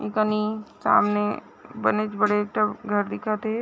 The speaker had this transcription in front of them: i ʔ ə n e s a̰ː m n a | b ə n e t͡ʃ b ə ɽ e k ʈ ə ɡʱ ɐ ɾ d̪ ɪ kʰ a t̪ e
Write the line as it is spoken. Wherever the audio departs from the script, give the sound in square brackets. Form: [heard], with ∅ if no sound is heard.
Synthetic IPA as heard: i [k] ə n [i] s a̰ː m n [e] | b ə n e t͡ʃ b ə ɽ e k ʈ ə ɡʱ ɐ ɾ d̪ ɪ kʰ a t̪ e